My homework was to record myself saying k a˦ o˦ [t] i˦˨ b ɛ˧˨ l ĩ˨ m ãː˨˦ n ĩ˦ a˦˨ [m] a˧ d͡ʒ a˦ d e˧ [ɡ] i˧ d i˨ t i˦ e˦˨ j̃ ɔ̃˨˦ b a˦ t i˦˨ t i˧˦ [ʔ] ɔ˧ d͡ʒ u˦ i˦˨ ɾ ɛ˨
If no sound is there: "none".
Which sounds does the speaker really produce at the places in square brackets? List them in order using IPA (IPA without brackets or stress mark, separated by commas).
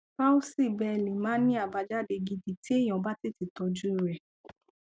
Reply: s, b, ɡ, t